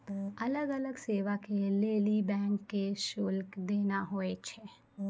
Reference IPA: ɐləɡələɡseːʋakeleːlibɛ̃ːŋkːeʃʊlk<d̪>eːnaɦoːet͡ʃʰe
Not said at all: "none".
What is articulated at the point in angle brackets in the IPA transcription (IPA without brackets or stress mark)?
d̪